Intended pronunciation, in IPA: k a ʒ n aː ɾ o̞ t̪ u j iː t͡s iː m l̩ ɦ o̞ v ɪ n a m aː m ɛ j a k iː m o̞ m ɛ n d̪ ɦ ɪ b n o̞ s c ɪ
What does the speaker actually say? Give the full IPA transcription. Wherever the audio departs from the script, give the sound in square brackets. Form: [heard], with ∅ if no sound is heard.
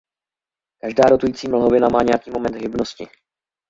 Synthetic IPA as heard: k a ʒ [d] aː ɾ o̞ t̪ u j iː t͡s iː m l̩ ɦ o̞ v ɪ n a m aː [ɲ] ɛ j a k iː m o̞ m ɛ n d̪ ɦ ɪ b n o̞ s c ɪ